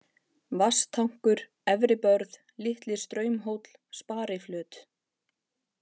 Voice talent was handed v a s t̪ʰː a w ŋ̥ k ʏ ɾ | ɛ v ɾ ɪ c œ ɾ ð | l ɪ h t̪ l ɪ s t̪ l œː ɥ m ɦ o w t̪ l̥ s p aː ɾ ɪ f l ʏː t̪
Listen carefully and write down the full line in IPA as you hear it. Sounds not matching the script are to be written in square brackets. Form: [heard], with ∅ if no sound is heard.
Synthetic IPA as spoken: v a s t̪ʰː a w ŋ̥ k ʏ ɾ | ɛ v ɾ ɪ [p] œ ɾ ð | l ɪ h t̪ l ɪ s t̪ [ɾ] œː ɥ m ɦ o w t̪ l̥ s p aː ɾ ɪ f l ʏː t̪